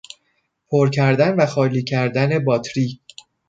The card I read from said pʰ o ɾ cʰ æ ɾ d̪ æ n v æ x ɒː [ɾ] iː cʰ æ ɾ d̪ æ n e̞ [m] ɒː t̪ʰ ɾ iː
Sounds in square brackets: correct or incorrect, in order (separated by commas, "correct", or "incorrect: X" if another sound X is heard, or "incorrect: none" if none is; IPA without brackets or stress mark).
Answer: incorrect: l, incorrect: b